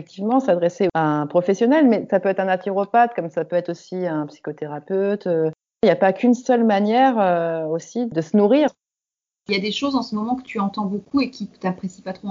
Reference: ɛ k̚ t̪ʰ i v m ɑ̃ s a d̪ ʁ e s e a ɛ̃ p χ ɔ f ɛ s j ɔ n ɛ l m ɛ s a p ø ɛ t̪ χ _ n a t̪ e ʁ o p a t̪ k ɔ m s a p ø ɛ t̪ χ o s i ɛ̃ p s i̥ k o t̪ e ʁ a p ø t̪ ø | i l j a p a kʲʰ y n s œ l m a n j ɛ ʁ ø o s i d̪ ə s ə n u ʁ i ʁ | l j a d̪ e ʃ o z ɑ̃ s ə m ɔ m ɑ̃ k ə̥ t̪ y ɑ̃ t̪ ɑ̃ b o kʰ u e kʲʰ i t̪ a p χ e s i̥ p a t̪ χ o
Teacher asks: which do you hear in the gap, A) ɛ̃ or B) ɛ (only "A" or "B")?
A